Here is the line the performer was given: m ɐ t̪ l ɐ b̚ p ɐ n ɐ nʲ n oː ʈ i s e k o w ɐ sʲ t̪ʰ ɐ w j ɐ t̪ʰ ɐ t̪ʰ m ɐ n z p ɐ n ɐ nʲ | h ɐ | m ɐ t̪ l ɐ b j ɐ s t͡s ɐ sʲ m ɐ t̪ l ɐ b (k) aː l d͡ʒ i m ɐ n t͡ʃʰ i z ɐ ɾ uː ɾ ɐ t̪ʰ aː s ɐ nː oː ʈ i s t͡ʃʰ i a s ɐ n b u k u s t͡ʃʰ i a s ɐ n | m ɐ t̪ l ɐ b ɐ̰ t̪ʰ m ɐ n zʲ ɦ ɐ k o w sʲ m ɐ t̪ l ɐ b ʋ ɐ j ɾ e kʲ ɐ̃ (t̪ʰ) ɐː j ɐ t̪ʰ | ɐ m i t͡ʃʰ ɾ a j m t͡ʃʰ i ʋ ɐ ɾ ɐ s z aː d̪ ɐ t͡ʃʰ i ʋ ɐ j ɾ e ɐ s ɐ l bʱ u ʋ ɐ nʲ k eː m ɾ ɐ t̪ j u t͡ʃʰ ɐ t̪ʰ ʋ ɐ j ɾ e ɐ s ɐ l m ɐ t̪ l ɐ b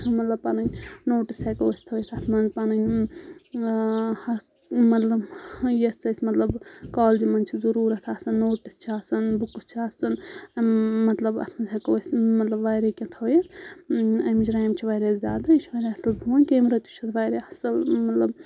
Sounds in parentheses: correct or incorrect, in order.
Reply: correct, correct

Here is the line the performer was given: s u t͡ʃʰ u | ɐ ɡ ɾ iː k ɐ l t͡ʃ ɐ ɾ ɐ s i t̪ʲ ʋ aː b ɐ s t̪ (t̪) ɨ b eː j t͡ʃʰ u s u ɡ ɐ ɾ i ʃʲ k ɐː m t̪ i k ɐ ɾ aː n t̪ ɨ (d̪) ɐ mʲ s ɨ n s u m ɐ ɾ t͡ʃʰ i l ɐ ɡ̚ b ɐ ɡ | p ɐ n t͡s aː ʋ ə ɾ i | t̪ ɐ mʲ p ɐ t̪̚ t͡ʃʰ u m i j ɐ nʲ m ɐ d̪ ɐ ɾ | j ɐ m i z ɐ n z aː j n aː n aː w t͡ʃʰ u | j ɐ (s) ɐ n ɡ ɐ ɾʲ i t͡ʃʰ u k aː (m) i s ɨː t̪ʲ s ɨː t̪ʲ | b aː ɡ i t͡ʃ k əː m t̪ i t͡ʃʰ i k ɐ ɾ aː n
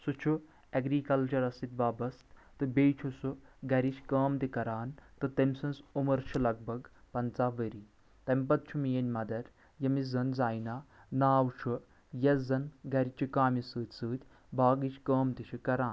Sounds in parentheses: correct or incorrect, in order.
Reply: correct, incorrect, incorrect, correct

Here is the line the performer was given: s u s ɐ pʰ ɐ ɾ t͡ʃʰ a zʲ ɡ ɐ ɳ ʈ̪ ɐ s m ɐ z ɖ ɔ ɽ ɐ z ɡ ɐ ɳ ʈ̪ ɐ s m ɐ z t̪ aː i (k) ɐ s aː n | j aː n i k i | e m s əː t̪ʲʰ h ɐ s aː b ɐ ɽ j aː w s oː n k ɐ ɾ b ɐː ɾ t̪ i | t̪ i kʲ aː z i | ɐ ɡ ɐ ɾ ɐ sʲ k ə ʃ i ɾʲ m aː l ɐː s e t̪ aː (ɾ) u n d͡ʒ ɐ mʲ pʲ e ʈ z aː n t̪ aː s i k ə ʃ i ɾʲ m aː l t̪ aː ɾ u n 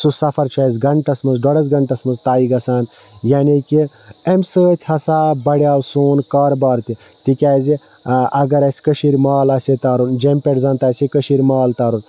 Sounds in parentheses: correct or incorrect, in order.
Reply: incorrect, correct

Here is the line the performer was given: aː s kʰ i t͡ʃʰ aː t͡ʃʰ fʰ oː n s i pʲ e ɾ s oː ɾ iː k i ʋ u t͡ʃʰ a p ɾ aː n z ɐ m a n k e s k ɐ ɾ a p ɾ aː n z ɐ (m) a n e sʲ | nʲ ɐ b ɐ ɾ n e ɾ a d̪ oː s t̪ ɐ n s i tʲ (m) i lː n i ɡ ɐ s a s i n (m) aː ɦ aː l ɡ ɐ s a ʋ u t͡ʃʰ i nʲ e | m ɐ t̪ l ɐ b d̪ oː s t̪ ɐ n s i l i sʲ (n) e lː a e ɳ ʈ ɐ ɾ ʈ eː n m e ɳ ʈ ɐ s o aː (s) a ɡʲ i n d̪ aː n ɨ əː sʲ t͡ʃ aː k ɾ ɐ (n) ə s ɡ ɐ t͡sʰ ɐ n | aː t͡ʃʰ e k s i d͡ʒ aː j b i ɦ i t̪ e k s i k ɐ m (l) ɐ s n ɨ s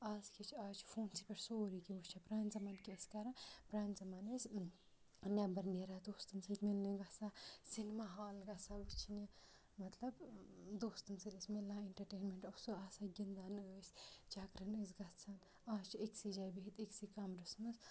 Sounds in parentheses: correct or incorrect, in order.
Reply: correct, correct, correct, incorrect, correct, correct, incorrect

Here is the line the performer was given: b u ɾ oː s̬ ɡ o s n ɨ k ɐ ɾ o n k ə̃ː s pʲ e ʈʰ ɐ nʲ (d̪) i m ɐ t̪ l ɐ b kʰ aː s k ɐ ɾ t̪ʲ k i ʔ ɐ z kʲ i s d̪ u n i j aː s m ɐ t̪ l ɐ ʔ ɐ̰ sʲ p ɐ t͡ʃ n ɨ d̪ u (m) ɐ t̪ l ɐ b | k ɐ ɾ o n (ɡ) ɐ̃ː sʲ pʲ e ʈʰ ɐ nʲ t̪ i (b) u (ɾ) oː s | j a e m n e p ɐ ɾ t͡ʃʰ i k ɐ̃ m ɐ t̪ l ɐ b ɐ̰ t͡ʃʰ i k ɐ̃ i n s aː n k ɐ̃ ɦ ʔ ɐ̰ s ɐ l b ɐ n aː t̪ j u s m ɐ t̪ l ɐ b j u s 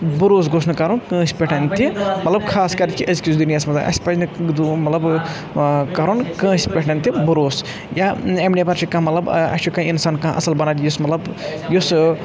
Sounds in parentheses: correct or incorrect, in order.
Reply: incorrect, correct, incorrect, correct, correct

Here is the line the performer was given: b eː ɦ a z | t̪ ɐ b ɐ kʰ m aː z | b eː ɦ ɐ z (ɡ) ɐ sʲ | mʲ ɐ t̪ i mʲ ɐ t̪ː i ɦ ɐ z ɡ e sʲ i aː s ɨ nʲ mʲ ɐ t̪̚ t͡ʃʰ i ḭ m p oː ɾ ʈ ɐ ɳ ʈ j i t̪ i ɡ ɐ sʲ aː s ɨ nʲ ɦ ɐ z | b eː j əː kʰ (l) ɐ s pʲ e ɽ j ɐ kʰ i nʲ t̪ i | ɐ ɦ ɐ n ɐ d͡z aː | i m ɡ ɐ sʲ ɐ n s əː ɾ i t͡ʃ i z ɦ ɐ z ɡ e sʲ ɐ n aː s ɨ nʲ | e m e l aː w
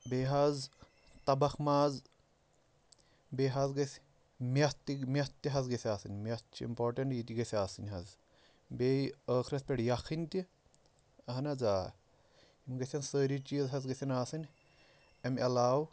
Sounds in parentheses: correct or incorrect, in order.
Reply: correct, incorrect

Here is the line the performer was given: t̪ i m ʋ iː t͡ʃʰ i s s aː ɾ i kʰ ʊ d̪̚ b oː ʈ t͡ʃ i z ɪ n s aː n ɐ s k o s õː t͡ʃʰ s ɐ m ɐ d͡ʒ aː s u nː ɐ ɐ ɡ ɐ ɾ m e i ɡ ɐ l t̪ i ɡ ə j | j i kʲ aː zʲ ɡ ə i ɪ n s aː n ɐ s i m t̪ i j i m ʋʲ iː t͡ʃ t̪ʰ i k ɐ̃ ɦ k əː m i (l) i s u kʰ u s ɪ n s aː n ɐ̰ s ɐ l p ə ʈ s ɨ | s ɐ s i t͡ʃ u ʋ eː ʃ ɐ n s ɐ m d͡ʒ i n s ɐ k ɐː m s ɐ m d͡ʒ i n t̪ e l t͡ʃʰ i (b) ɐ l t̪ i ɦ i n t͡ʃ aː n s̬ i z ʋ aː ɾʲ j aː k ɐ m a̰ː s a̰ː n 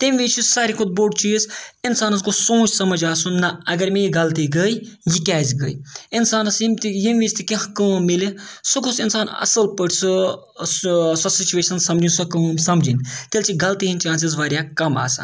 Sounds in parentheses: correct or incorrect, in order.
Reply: correct, incorrect

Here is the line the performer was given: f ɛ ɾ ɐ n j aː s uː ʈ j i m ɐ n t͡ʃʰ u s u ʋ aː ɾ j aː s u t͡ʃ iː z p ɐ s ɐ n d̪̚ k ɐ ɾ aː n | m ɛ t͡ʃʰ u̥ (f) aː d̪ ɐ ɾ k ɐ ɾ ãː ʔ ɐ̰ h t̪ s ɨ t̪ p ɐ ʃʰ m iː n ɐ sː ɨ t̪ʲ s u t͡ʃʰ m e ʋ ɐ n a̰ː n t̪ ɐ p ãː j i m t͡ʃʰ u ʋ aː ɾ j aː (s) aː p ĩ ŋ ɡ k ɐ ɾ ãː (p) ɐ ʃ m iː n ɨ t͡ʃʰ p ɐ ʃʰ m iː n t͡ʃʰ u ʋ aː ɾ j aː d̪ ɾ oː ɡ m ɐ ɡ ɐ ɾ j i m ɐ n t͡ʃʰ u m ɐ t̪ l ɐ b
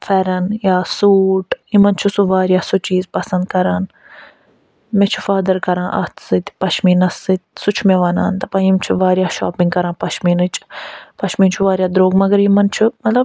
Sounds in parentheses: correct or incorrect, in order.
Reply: correct, incorrect, correct

